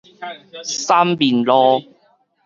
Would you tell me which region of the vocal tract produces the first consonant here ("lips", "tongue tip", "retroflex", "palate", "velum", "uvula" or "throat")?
tongue tip